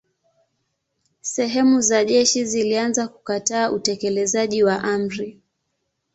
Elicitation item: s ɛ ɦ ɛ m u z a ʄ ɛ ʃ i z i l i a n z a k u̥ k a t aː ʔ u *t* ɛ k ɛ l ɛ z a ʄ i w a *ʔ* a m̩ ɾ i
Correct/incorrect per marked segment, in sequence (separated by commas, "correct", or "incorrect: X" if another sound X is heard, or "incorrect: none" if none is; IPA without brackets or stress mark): correct, correct